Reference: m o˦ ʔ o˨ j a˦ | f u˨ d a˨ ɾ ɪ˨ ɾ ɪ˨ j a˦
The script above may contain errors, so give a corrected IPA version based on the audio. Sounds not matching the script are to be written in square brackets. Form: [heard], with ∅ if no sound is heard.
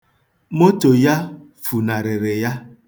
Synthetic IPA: m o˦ [t] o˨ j a˦ | f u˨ [n] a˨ ɾ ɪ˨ ɾ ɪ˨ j a˦